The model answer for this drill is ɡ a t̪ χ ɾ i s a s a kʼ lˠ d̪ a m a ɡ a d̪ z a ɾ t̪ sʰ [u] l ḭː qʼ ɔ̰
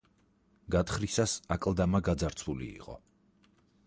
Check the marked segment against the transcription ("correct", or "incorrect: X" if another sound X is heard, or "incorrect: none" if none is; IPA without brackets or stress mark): correct